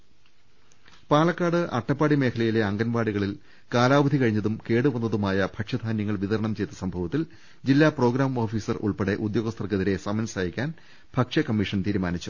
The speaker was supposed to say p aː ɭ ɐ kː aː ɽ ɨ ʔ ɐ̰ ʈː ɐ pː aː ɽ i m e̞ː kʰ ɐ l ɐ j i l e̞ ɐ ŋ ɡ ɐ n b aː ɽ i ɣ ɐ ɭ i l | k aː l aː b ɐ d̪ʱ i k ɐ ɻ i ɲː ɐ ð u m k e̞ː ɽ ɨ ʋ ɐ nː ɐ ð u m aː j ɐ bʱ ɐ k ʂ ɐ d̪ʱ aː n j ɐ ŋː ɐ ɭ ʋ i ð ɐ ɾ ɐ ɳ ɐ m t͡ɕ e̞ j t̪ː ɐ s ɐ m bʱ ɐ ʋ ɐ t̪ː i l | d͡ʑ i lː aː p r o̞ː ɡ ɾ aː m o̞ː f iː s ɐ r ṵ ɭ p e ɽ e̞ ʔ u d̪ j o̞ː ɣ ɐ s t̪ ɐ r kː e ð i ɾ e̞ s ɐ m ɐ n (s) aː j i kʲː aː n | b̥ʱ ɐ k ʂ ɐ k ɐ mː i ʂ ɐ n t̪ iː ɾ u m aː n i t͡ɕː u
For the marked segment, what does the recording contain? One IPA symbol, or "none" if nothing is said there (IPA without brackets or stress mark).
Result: s